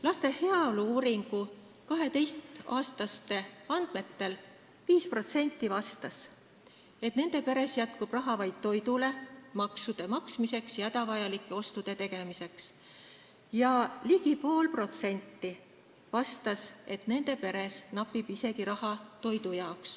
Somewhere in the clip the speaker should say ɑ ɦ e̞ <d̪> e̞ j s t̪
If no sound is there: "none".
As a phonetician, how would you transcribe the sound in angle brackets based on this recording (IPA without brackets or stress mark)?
t̪